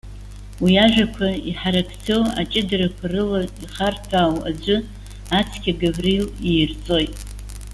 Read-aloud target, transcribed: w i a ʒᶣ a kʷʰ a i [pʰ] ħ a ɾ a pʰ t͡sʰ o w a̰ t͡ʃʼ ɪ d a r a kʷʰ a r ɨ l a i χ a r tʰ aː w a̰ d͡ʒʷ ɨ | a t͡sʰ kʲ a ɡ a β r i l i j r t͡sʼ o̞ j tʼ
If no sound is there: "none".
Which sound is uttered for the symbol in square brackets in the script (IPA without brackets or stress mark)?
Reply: none